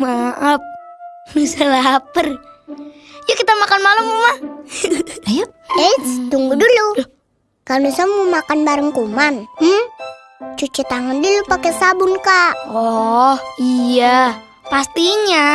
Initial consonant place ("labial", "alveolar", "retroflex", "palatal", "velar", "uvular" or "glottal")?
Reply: labial